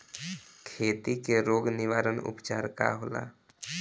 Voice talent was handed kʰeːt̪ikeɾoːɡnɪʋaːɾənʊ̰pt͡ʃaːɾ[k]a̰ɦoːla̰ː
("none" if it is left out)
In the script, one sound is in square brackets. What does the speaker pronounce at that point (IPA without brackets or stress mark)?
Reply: k